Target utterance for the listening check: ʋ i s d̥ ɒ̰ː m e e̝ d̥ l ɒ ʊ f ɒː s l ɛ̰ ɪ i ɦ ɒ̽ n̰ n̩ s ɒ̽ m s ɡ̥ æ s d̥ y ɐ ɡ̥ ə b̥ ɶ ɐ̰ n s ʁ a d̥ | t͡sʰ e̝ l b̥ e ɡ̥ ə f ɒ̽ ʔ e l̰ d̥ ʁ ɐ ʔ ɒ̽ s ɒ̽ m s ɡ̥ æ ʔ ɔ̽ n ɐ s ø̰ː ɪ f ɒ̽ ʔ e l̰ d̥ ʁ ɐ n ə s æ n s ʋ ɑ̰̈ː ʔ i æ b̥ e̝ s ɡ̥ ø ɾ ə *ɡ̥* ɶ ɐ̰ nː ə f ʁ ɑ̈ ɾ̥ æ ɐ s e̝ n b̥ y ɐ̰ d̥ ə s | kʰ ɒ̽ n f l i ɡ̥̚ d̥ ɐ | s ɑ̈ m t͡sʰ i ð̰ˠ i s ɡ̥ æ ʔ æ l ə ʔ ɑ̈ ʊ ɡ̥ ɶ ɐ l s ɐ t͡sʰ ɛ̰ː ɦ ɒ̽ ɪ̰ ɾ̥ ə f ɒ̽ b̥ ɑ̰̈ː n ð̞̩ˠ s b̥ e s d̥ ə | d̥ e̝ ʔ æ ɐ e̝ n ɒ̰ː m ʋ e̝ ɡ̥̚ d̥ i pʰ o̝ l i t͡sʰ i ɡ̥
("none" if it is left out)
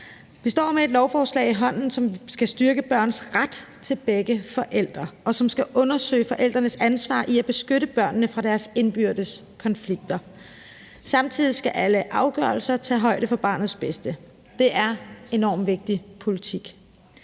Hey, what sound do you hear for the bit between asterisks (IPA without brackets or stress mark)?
b̥